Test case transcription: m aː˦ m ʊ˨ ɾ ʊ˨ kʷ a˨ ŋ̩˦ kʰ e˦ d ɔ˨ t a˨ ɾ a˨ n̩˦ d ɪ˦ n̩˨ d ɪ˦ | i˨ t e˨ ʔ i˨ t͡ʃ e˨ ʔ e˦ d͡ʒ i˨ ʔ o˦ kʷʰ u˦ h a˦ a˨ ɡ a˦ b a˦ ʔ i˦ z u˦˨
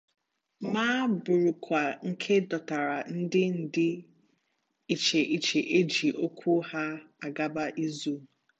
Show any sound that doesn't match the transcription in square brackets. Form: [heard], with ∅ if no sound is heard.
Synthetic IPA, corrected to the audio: m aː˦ [b] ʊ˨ ɾ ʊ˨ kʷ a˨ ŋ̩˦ kʰ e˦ d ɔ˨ t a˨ ɾ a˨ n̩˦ d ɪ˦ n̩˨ d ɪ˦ | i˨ [t͡ʃ] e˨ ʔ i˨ t͡ʃ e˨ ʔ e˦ d͡ʒ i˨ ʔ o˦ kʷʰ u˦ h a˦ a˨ ɡ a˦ b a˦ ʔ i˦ z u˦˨

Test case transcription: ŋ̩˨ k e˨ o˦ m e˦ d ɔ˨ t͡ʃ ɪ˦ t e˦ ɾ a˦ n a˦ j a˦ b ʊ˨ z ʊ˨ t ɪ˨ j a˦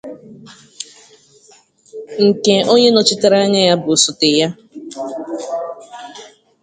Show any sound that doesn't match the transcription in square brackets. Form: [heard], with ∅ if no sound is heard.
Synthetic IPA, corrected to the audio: ŋ̩˨ k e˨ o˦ [ɲ] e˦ [n] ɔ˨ t͡ʃ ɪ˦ t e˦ ɾ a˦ [ɲ] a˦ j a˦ b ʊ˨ [s] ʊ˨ t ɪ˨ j a˦

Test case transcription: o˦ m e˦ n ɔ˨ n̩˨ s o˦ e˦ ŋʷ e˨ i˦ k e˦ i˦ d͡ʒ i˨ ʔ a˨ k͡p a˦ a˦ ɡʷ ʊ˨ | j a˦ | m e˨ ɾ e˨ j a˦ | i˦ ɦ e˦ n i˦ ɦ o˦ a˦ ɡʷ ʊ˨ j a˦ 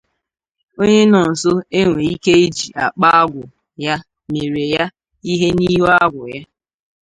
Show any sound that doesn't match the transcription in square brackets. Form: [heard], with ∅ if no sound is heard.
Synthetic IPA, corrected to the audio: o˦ [ɲ] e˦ n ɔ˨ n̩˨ s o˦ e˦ ŋʷ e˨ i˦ k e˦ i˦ d͡ʒ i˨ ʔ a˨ k͡p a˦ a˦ ɡʷ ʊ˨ | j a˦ | m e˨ ɾ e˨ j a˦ | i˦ ɦ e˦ n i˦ ɦ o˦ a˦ ɡʷ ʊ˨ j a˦

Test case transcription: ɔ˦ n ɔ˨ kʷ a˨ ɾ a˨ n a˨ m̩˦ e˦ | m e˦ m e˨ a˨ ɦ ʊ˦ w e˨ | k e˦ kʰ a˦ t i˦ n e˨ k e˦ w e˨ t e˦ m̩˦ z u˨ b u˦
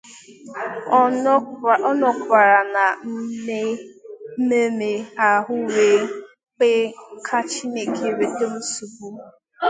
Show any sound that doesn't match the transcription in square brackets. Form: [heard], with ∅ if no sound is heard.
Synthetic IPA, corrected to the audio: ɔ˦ n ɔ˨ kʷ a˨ ɾ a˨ n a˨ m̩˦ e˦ | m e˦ m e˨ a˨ ɦ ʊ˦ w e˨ | [k͡p] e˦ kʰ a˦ [t͡ʃ] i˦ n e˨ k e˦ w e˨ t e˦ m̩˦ [s] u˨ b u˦

